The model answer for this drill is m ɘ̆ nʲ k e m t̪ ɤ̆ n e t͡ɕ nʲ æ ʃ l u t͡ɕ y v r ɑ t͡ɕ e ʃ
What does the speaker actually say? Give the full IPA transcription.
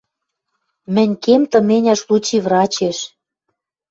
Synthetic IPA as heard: m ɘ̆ nʲ k e m t̪ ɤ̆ m e nʲ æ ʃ l u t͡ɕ i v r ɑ t͡ɕ e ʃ